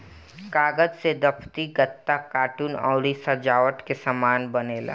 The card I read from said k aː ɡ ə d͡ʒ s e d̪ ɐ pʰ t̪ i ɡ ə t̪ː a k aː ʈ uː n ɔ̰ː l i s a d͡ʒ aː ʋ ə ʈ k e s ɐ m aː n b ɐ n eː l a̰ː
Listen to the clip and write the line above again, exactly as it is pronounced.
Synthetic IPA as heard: k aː ɡ ə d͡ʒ s e d̪ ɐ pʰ t̪ i ɡ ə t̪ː a k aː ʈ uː n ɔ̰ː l i s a d͡ʒ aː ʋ ə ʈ k e s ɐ m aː n b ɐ n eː l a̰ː